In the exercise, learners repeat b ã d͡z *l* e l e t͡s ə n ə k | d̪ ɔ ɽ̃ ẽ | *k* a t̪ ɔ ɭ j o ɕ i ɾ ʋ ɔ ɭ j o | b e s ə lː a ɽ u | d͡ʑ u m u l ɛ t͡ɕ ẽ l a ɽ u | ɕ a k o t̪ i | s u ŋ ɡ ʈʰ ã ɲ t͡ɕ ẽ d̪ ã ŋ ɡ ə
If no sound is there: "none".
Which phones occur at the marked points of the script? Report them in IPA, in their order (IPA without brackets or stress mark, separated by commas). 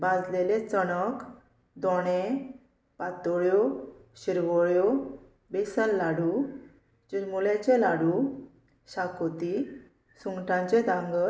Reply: l, p